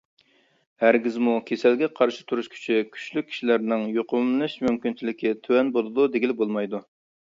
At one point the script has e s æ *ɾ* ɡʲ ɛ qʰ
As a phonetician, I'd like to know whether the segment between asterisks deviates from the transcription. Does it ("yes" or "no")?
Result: yes